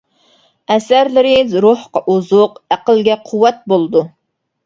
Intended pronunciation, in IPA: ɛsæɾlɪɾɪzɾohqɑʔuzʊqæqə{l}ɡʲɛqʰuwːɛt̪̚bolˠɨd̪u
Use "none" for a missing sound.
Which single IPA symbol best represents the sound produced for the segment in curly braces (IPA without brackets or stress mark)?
l